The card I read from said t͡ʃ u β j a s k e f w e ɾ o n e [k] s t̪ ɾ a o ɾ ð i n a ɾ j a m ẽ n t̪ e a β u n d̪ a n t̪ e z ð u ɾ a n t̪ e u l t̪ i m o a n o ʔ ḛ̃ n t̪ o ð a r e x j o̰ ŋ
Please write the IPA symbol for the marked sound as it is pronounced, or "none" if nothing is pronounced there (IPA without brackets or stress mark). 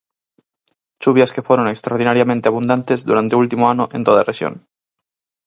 k